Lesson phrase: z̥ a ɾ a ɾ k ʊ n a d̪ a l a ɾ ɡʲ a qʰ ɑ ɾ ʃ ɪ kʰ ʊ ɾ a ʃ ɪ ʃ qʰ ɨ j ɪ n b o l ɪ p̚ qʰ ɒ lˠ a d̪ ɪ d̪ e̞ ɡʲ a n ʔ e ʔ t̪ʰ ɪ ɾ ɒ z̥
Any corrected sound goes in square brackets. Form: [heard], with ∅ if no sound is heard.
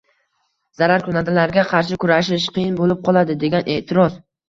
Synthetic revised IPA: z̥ a ɾ a ɾ k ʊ n a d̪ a l a ɾ ɡʲ a qʰ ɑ ɾ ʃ ɪ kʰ ʊ ɾ a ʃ ɪ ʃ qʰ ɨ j ɪ n b o l ɪ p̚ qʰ ɒ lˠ a d̪ ɪ d̪ e̞ ɡʲ a n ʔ e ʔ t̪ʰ ɪ ɾ ɒ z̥